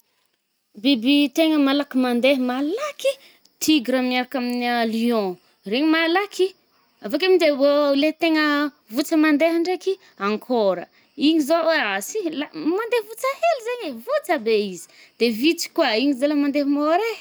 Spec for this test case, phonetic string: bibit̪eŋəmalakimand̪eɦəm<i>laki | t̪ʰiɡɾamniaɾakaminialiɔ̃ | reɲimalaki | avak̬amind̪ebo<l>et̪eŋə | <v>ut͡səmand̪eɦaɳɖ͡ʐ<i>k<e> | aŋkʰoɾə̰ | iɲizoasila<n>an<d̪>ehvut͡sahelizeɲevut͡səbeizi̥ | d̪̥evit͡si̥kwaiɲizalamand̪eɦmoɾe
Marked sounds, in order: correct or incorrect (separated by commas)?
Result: incorrect, correct, correct, incorrect, incorrect, incorrect, correct